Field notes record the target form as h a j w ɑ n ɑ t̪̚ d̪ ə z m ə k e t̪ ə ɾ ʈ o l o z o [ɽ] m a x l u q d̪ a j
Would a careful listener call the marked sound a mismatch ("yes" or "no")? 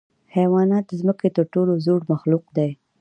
no